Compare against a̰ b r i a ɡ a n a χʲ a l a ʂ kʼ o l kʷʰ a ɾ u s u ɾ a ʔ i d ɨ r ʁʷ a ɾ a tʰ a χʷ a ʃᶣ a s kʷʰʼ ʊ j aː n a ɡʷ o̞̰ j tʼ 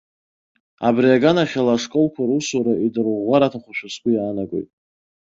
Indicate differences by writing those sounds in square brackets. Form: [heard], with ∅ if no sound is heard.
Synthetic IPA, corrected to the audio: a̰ b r i a ɡ a n a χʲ a l a ʂ kʼ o l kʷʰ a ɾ u s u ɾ a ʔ i d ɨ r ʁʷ a ɾ a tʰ a χʷ a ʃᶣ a s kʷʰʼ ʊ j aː n a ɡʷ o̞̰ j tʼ